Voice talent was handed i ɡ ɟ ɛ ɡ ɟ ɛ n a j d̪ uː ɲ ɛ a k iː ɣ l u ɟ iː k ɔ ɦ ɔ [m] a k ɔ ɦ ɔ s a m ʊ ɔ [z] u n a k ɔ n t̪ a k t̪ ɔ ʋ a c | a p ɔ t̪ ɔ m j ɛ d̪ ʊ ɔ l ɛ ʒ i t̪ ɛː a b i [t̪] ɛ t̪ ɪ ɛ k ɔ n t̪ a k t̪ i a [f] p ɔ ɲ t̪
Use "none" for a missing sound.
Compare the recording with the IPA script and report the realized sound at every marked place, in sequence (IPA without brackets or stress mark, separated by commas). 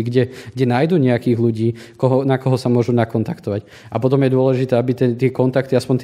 n, ʒ, t̪, s